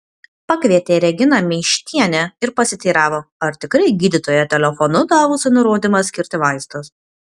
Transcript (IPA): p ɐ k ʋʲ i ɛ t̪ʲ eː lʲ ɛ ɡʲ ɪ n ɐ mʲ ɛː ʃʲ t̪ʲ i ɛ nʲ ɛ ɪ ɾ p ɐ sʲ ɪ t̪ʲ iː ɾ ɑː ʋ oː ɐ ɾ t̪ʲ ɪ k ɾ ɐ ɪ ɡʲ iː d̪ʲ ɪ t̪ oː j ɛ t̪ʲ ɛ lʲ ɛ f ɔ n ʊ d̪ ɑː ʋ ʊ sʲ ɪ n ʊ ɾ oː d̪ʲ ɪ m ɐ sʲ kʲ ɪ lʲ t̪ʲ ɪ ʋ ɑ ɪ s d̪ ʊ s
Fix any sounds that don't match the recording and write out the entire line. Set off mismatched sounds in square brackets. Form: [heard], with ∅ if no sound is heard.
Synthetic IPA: p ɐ k ʋʲ i ɛ t̪ʲ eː [ɾʲ] ɛ ɡʲ ɪ n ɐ mʲ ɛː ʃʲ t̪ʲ i ɛ nʲ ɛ ɪ ɾ p ɐ sʲ ɪ t̪ʲ iː ɾ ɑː ʋ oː ɐ ɾ t̪ʲ ɪ k ɾ ɐ ɪ ɡʲ iː d̪ʲ ɪ t̪ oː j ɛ t̪ʲ ɛ lʲ ɛ f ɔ n ʊ d̪ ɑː ʋ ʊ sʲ ɪ n ʊ ɾ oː d̪ʲ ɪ m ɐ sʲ kʲ ɪ [ɾʲ] t̪ʲ ɪ ʋ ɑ ɪ s [t̪] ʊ s

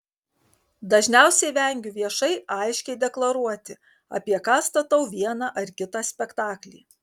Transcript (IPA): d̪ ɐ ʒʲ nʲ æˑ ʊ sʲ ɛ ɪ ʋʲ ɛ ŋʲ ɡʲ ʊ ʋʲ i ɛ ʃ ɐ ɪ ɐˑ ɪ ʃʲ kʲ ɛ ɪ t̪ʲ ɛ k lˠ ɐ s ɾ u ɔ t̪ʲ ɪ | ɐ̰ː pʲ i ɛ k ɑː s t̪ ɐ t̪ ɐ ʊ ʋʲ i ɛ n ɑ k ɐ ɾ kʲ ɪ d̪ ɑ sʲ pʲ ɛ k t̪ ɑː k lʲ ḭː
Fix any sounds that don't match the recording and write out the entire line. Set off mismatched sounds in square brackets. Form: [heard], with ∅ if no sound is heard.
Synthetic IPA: d̪ ɐ ʒʲ nʲ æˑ ʊ sʲ ɛ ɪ ʋʲ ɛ ŋʲ ɡʲ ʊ ʋʲ i ɛ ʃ ɐ ɪ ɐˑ ɪ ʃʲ kʲ ɛ ɪ [d̪ʲ] ɛ k lˠ ɐ [∅] ɾ u ɔ t̪ʲ ɪ | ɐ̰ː pʲ i ɛ k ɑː s t̪ ɐ t̪ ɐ ʊ ʋʲ i ɛ n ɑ [ʔ] ɐ ɾ kʲ ɪ [t̪] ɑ sʲ pʲ ɛ k t̪ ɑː k lʲ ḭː

